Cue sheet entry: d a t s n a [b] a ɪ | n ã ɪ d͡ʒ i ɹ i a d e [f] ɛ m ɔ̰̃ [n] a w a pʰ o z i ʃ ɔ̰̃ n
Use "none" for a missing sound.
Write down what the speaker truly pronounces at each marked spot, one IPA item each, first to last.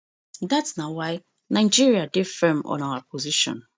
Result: w, f, n

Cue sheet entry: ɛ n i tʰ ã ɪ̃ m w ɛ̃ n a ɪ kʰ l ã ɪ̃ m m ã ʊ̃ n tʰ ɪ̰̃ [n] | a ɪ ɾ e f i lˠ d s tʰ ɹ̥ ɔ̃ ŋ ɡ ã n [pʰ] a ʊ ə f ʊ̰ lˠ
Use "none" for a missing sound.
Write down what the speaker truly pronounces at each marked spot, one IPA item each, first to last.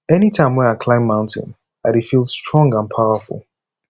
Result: n, pʰ

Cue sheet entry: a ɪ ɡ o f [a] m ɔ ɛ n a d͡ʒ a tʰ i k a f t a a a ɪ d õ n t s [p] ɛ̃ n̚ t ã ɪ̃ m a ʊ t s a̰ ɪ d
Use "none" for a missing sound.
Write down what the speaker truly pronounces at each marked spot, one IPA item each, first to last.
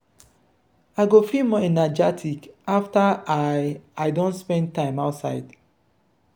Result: i, p

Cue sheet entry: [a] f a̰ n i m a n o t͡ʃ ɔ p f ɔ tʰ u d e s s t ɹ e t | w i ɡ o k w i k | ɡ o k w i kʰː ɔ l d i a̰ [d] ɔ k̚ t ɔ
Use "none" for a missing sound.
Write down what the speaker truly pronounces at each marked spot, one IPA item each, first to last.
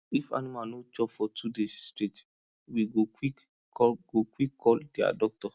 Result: i, d

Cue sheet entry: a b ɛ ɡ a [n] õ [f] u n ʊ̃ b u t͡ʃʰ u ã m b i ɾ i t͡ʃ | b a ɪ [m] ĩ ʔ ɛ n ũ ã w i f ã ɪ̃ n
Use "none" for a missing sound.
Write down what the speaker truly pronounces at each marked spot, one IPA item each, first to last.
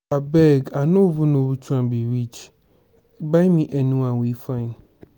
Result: n, v, m

